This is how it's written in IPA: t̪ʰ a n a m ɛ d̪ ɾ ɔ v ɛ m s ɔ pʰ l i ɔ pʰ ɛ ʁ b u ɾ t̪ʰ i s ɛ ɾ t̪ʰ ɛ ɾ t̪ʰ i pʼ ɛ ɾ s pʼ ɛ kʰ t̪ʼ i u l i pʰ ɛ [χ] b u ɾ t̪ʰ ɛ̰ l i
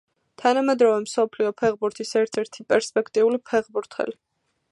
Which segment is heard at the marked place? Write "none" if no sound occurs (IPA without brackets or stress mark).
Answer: ʁ